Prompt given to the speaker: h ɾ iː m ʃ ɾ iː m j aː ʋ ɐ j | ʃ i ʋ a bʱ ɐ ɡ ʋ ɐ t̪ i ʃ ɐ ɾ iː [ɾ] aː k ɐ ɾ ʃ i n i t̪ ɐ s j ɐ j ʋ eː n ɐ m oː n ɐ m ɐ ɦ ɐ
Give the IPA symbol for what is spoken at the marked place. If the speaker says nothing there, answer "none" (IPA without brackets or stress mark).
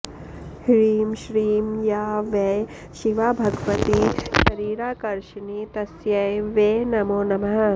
ɾ